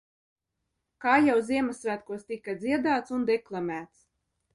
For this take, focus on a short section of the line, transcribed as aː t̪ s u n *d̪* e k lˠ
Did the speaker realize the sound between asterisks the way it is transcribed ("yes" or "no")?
yes